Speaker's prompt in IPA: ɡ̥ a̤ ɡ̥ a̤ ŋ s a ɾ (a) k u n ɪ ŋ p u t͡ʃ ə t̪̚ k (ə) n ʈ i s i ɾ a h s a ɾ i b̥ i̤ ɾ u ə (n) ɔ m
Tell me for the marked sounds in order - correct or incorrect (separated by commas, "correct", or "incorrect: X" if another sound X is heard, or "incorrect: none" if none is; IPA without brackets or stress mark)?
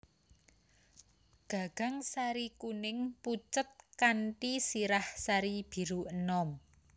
incorrect: i, incorrect: a, correct